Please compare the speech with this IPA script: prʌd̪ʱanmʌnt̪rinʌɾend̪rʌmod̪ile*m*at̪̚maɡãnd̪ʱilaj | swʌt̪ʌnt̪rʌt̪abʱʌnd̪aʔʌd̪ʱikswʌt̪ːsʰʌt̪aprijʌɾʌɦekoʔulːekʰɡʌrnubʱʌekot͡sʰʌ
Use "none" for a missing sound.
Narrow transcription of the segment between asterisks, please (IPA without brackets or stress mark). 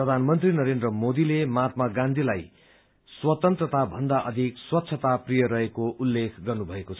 m